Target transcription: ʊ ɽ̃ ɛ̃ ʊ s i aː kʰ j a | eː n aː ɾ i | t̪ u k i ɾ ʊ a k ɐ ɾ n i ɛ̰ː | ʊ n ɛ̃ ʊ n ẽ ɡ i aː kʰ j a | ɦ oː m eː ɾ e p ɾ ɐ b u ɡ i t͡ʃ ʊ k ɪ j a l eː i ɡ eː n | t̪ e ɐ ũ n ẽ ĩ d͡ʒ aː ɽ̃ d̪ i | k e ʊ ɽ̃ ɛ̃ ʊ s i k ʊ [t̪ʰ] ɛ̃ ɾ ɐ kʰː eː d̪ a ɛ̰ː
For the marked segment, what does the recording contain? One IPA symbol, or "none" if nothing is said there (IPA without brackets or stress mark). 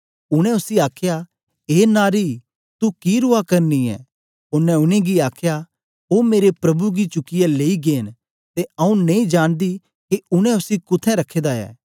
t̪ʰ